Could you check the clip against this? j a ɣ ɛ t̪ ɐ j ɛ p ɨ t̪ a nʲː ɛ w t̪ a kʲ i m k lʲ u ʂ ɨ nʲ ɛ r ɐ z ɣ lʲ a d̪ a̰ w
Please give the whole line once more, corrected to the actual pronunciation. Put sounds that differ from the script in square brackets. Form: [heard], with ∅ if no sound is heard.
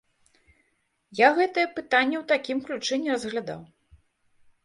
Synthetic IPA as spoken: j a ɣ ɛ t̪ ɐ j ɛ p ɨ t̪ a nʲː ɛ w t̪ a kʲ i m k lʲ u [t͡ʂ] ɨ nʲ ɛ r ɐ z ɣ lʲ a d̪ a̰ w